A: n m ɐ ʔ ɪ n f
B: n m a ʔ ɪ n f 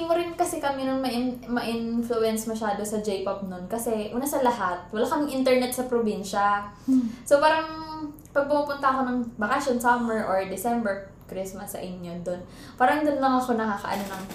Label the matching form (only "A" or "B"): A